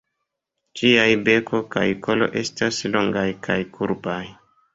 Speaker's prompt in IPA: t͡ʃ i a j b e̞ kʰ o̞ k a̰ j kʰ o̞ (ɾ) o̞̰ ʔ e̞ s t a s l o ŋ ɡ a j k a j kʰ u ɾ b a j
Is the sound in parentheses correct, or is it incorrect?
incorrect